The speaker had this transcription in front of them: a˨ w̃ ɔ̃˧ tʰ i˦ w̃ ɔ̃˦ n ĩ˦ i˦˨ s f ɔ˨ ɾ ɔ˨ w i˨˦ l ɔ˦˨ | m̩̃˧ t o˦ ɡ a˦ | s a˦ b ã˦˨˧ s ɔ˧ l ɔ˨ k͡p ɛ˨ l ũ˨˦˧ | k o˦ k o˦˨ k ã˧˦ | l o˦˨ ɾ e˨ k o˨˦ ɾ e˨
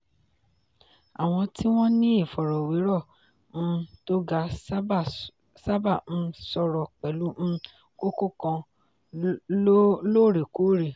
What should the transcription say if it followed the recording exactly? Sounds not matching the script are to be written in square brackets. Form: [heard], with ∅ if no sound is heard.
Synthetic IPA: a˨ w̃ ɔ̃˧ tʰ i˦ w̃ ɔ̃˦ n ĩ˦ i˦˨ [∅] f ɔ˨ ɾ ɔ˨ w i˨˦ [ɾ] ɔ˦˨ | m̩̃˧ t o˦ ɡ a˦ | s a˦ b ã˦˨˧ s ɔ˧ [ɾ] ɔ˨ k͡p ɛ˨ l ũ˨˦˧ | k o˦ k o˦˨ k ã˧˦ | l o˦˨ ɾ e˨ k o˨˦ ɾ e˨

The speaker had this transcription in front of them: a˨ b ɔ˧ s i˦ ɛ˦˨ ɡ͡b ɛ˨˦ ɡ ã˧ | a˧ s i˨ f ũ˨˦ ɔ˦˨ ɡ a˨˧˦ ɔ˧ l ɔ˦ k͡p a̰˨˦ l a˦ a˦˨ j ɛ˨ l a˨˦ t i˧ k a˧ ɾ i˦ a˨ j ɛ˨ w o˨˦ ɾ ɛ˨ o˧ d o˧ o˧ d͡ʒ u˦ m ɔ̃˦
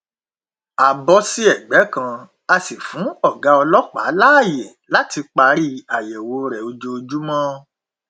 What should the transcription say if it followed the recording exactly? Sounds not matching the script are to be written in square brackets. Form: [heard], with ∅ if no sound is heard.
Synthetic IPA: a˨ b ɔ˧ s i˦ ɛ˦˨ ɡ͡b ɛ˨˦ [k] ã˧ | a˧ s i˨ f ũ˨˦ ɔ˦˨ ɡ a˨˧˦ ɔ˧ l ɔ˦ k͡p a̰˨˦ l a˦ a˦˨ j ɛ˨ l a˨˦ t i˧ [k͡p] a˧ ɾ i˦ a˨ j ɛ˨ w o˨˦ ɾ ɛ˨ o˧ [d͡ʒ] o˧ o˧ d͡ʒ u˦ m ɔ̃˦

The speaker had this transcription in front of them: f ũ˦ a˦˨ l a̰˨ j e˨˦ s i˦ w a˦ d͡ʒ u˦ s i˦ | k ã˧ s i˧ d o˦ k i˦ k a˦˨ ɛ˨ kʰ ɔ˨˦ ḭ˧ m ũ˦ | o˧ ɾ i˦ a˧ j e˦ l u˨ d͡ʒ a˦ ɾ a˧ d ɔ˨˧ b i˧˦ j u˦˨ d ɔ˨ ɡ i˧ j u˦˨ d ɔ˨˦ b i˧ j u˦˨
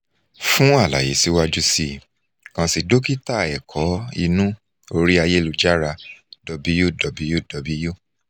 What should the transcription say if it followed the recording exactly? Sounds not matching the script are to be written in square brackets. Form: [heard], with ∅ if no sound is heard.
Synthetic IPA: f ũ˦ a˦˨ l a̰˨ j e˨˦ s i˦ w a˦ d͡ʒ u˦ s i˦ | k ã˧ s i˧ d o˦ k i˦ [t] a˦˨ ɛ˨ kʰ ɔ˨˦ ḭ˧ [n] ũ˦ | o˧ ɾ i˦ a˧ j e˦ l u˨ d͡ʒ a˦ ɾ a˧ d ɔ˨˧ b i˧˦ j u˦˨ d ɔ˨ [b] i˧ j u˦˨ d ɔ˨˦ b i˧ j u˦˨

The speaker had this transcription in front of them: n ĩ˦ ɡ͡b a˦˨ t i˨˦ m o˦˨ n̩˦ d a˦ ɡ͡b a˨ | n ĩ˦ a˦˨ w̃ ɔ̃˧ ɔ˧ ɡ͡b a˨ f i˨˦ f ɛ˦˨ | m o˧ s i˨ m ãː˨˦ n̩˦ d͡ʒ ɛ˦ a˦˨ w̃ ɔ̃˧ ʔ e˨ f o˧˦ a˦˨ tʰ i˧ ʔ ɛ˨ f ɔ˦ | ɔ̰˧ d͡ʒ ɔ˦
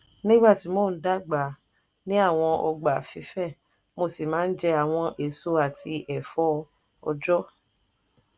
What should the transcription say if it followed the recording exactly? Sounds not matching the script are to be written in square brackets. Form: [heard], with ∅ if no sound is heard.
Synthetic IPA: n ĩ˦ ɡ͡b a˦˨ t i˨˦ m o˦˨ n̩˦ d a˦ ɡ͡b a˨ | n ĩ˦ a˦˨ w̃ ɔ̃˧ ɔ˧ ɡ͡b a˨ f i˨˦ f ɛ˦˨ | m o˧ s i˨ m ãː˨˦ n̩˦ d͡ʒ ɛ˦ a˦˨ w̃ ɔ̃˧ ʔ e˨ [s] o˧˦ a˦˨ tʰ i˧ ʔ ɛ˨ f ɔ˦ | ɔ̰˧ d͡ʒ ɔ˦

